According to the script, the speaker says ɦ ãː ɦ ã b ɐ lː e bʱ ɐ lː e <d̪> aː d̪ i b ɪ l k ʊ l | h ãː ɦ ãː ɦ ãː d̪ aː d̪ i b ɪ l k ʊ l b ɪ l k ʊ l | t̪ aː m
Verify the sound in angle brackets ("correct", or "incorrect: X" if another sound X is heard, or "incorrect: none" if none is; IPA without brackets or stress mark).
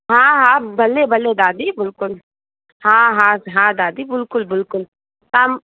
correct